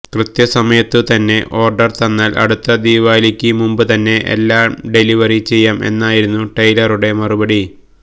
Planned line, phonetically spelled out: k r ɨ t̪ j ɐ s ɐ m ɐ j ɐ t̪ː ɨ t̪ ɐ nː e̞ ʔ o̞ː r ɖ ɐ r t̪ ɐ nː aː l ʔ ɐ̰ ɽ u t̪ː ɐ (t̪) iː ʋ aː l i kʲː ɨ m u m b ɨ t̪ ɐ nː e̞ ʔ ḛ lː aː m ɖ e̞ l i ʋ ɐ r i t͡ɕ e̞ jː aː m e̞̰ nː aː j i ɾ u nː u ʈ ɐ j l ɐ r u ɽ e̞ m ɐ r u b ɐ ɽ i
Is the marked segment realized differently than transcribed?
yes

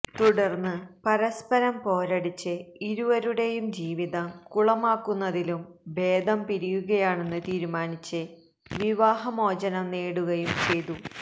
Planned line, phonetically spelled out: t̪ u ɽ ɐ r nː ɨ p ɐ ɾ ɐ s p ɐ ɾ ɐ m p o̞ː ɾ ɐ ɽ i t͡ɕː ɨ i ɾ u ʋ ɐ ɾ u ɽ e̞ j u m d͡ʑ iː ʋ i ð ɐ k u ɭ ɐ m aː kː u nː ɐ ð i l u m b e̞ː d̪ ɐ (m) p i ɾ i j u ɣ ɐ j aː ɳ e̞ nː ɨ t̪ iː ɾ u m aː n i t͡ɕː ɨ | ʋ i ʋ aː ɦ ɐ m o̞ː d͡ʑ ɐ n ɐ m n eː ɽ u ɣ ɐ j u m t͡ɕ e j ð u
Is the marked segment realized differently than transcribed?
no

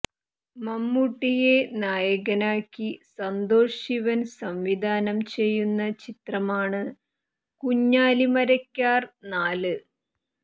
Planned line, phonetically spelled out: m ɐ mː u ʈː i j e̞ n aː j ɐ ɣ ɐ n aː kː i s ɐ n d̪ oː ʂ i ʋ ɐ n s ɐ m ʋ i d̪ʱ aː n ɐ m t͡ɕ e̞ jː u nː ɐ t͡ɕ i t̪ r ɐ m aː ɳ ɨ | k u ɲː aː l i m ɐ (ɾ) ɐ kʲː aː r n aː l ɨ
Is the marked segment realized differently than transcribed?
no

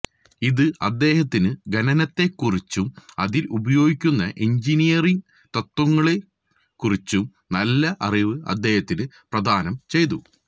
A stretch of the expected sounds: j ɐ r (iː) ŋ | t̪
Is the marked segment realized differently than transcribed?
yes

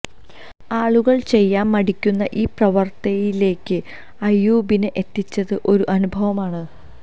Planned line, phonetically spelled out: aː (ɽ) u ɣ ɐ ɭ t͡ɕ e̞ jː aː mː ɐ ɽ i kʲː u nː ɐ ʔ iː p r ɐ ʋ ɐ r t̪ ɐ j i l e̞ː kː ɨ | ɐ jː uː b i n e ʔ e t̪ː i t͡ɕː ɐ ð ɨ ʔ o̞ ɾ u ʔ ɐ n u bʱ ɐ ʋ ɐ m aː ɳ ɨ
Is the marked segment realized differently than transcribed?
yes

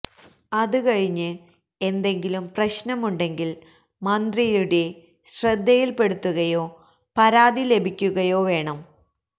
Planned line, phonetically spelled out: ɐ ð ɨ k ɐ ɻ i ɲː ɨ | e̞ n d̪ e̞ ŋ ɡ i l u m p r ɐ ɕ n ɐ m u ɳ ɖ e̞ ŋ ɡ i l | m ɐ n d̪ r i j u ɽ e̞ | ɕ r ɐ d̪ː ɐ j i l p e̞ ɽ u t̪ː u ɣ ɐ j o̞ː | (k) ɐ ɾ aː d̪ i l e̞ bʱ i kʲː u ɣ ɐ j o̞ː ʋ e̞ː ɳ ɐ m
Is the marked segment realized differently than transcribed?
yes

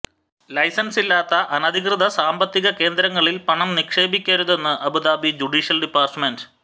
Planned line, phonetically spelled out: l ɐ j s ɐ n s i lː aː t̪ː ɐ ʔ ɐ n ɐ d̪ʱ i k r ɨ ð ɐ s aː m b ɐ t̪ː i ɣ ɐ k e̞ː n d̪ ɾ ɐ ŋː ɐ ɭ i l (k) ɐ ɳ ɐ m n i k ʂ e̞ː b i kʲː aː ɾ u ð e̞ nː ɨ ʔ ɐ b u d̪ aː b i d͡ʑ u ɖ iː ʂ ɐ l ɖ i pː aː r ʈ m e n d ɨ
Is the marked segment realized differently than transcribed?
yes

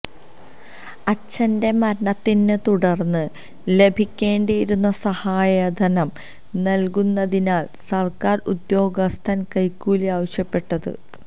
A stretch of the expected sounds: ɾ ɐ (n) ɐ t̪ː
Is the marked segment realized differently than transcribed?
yes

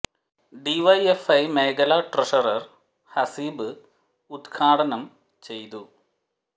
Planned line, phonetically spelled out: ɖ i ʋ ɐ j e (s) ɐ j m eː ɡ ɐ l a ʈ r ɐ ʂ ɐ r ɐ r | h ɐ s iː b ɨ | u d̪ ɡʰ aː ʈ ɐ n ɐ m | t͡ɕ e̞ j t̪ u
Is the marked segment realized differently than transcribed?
yes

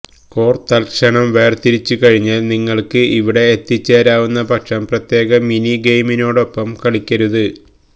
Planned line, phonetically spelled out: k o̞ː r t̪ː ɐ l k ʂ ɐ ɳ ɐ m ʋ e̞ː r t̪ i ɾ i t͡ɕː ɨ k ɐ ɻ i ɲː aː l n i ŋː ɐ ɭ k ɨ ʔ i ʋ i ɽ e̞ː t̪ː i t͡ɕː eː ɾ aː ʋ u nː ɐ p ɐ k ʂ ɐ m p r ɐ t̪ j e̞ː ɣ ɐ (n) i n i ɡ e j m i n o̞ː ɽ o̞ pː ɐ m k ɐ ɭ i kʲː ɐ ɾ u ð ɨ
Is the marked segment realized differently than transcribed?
yes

